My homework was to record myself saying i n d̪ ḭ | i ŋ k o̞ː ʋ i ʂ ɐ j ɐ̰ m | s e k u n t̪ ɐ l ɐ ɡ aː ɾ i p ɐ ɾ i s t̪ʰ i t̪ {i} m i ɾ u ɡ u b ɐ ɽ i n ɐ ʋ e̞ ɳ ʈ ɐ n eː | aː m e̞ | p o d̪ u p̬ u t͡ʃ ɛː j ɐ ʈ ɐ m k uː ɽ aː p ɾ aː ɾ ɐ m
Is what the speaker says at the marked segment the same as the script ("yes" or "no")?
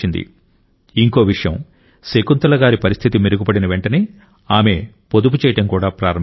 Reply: yes